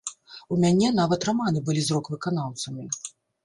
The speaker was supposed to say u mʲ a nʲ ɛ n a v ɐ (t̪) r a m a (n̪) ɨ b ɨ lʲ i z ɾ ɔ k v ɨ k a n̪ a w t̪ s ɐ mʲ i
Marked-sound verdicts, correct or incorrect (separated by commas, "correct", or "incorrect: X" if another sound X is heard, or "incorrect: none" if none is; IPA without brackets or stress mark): correct, correct